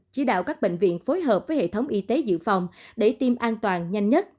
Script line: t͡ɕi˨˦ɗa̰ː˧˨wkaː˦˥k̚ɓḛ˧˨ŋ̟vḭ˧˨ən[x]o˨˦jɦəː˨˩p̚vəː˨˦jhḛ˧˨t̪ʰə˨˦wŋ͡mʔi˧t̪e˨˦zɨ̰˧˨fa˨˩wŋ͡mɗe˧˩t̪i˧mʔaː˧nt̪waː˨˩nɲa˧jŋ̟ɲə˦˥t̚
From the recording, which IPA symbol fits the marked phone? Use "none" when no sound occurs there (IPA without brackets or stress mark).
f